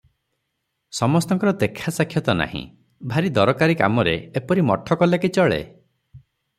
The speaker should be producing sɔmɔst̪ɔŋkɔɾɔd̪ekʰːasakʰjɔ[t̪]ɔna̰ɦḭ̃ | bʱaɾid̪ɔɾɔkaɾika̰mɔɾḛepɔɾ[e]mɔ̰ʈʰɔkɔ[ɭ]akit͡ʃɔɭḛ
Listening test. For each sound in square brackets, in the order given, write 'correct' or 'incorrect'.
correct, incorrect: i, incorrect: l

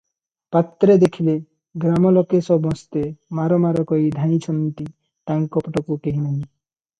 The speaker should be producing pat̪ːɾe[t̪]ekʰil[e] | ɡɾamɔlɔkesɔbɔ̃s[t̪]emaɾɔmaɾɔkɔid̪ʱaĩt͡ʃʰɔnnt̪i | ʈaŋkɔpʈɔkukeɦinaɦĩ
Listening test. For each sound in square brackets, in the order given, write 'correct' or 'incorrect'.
incorrect: d̪, correct, correct

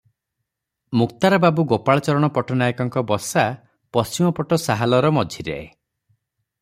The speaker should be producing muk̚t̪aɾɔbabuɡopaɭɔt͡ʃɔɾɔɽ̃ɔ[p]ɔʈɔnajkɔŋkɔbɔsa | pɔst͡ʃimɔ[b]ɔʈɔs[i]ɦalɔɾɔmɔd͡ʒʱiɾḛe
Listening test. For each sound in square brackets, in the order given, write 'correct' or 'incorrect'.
correct, incorrect: p, incorrect: a

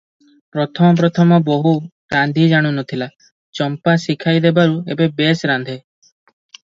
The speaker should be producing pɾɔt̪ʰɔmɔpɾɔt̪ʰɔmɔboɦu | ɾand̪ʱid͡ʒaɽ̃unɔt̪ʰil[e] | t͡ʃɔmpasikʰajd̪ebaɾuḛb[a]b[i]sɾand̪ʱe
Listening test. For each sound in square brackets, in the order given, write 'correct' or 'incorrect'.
incorrect: a, incorrect: e, incorrect: e

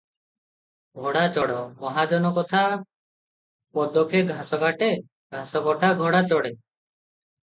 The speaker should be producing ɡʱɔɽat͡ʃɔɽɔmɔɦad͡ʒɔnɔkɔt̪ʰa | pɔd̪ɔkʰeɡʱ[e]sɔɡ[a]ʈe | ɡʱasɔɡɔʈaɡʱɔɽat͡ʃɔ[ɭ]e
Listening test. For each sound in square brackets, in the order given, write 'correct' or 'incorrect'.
incorrect: a, correct, incorrect: ɽ

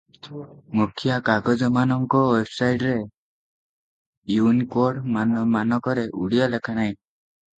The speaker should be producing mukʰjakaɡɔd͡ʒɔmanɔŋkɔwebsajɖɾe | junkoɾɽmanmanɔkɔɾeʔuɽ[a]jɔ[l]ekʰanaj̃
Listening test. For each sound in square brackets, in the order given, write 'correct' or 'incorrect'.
incorrect: i, correct

